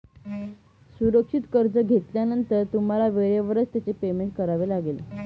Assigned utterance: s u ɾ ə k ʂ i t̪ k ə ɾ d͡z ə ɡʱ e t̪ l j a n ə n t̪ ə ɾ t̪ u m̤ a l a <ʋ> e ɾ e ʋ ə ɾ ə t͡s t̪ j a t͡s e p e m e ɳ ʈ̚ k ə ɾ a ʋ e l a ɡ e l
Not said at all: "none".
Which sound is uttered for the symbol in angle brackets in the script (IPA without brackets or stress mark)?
ʋ